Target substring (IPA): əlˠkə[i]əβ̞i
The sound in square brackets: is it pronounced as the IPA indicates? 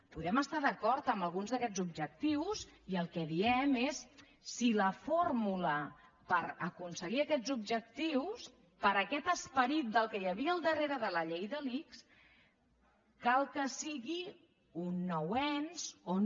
no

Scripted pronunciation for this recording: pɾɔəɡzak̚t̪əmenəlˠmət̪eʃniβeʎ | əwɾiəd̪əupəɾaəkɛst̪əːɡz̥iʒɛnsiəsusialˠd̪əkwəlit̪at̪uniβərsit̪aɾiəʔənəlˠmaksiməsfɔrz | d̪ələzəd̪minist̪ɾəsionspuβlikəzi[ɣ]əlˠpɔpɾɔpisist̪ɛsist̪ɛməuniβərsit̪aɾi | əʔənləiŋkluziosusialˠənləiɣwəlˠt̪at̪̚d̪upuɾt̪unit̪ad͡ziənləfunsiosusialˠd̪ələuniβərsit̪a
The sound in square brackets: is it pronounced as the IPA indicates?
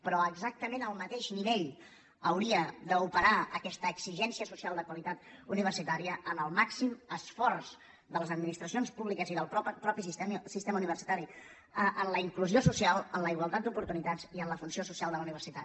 no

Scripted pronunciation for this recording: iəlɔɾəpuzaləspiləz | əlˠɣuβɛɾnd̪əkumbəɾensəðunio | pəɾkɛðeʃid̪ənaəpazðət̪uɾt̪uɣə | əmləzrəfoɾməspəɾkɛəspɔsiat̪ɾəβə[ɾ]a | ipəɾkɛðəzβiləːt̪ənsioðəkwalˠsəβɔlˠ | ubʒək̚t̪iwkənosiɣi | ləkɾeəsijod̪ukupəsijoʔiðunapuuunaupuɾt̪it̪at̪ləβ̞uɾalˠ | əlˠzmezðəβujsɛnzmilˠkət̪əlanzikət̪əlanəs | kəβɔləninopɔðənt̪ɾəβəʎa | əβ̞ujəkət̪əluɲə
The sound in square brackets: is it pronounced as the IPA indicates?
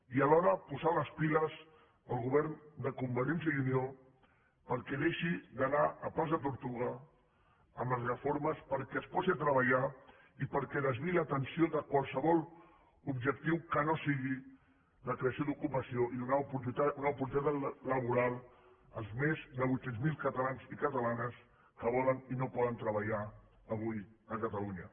no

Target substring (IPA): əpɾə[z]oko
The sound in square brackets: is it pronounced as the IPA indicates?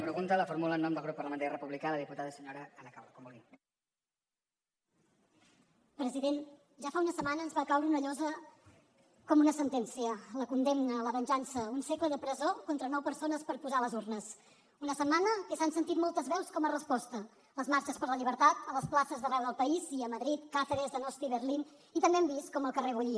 yes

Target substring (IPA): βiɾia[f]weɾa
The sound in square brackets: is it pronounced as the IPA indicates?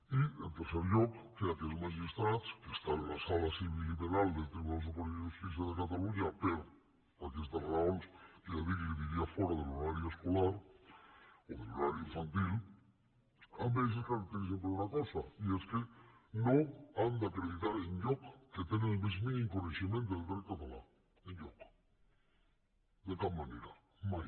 yes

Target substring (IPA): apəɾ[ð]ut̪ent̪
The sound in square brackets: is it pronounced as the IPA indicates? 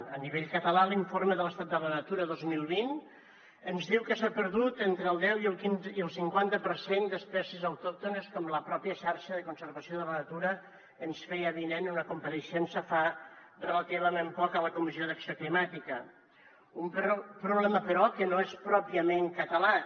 yes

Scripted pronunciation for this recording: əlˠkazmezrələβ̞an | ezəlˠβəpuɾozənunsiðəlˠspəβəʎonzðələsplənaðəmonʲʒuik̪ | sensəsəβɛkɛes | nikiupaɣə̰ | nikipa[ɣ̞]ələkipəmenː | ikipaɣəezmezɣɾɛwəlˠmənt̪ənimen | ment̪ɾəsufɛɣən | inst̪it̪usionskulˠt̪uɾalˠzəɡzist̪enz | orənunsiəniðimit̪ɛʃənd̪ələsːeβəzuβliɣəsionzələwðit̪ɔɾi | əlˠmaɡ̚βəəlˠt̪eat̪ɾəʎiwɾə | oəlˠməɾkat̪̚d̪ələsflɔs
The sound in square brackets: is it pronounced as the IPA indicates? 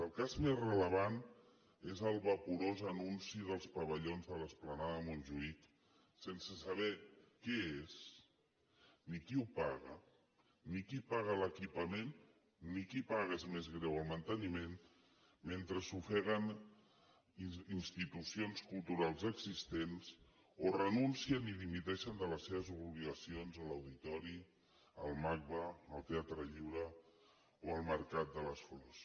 yes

